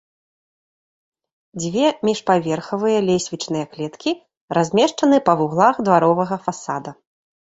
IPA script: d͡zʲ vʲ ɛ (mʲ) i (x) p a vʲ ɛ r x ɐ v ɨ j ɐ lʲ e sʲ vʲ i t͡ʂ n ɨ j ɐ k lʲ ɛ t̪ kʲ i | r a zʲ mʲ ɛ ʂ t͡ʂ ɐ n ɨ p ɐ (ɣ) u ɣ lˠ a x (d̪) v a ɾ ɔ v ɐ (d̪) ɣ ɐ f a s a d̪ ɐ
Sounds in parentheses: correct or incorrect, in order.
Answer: correct, incorrect: ʂ, incorrect: v, correct, incorrect: none

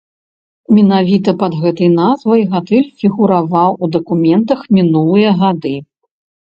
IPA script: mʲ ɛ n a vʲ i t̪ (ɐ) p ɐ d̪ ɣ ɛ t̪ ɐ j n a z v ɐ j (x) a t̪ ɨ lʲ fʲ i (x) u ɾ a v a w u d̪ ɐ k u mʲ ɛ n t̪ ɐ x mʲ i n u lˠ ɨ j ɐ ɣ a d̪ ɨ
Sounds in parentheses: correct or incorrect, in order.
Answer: correct, incorrect: ɣ, incorrect: ɣ

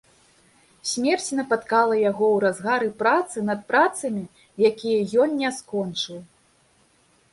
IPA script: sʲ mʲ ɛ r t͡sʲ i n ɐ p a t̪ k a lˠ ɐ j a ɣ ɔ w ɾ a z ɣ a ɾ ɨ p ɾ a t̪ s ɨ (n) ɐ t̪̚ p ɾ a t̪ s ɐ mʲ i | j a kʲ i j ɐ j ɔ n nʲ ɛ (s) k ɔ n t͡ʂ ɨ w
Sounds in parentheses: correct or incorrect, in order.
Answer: correct, correct

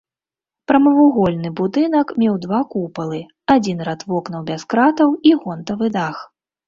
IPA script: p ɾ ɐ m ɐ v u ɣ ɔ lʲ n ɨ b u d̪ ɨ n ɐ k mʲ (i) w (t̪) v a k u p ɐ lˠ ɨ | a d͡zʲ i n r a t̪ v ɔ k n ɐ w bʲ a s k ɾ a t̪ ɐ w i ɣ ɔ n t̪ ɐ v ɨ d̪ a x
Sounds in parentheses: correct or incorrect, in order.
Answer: incorrect: ɛ, incorrect: d̪

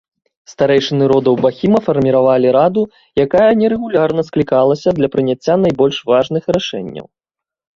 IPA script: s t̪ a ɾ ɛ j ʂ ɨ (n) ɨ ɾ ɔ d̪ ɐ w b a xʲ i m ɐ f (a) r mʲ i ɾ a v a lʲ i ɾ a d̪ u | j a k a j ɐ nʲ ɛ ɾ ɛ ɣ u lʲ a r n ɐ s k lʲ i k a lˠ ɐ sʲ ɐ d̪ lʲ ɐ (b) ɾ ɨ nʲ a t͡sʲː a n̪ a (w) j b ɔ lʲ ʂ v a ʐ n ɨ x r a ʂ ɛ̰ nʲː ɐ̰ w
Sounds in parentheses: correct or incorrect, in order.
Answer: correct, incorrect: ɐ, incorrect: p, incorrect: none

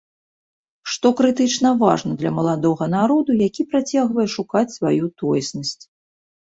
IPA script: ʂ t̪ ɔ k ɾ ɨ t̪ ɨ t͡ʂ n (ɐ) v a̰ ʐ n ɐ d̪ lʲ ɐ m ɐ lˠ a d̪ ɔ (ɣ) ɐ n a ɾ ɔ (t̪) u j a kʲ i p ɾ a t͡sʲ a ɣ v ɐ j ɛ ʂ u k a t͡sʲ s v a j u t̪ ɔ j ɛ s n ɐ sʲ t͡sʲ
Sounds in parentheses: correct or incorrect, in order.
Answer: correct, correct, incorrect: d̪

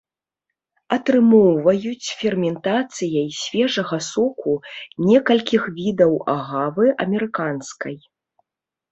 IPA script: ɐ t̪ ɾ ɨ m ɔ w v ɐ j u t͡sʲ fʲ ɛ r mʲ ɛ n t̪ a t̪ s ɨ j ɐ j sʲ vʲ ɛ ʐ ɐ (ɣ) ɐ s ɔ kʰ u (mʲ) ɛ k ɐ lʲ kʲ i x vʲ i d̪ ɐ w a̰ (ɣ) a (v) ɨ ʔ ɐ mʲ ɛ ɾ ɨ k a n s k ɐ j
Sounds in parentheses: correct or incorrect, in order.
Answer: correct, incorrect: nʲ, correct, correct

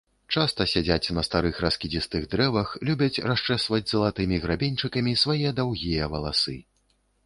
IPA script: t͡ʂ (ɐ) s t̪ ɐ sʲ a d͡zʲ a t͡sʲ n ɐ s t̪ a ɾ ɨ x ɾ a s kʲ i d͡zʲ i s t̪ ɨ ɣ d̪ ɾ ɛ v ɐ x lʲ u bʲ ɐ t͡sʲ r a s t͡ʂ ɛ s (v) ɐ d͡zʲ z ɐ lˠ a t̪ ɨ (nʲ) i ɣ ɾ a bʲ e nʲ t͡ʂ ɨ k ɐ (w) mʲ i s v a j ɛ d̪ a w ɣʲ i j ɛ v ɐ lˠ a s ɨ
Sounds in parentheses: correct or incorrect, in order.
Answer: incorrect: a, correct, incorrect: mʲ, incorrect: none

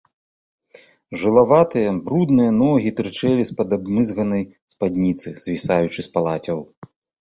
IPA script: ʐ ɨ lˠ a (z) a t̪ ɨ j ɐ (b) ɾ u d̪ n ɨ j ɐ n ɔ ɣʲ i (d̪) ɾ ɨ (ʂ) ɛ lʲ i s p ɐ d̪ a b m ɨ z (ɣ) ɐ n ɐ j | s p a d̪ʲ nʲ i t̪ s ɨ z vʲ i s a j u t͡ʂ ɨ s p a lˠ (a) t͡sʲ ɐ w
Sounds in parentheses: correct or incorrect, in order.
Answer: incorrect: v, correct, incorrect: t̪, incorrect: t͡ʂ, correct, correct

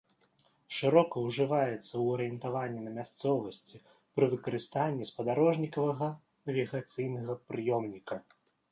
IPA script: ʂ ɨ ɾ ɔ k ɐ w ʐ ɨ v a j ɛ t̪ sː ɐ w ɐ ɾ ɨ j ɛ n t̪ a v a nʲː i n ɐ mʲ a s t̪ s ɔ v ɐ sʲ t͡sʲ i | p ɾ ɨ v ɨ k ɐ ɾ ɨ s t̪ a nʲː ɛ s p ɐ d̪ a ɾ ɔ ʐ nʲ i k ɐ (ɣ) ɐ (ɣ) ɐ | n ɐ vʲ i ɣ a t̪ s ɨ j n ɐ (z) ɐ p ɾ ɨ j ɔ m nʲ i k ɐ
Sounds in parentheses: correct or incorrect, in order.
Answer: incorrect: v, correct, incorrect: ɣ

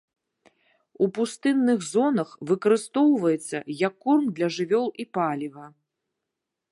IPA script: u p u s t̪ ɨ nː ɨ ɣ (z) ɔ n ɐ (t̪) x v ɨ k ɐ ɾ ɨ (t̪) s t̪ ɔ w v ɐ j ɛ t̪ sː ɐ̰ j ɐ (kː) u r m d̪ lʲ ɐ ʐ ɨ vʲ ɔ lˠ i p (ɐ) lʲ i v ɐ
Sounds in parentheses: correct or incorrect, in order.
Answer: correct, incorrect: none, incorrect: none, correct, incorrect: a

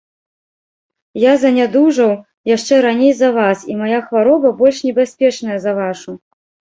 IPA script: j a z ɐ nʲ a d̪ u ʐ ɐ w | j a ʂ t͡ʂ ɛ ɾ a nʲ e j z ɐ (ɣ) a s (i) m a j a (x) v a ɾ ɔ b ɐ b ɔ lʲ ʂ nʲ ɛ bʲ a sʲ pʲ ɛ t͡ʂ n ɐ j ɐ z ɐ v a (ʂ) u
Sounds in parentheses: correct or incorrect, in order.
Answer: incorrect: v, correct, correct, correct

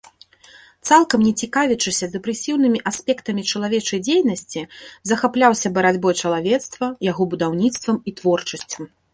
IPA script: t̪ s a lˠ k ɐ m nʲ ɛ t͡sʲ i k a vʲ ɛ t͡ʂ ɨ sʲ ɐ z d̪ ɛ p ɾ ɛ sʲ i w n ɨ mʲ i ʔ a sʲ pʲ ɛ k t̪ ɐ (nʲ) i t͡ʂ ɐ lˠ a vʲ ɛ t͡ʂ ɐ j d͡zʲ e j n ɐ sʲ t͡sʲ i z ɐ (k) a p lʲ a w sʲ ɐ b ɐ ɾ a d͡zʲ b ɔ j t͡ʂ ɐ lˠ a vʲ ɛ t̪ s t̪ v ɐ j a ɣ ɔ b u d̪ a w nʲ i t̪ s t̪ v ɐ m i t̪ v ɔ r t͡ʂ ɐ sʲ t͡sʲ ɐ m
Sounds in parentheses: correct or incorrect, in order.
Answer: incorrect: mʲ, incorrect: x

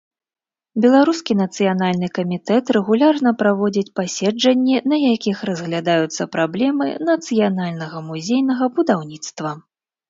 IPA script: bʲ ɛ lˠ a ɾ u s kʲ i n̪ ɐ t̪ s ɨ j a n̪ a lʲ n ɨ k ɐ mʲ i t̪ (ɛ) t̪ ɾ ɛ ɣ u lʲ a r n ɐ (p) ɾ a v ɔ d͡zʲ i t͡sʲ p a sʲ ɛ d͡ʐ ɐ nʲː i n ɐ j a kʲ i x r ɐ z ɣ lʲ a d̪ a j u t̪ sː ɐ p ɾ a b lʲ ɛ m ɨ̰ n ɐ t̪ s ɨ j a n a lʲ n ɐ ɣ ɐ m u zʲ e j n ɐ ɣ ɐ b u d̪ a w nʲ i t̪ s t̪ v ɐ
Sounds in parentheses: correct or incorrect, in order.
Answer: correct, correct

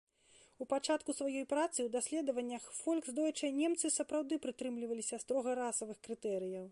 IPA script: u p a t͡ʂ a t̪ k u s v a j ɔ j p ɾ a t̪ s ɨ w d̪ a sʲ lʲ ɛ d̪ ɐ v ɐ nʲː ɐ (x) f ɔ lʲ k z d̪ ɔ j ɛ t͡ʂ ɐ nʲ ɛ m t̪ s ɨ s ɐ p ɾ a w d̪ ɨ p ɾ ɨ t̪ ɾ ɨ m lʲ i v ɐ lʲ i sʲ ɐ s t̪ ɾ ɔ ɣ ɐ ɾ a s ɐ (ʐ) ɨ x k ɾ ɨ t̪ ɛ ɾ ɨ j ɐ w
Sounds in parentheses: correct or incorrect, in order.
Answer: correct, incorrect: v

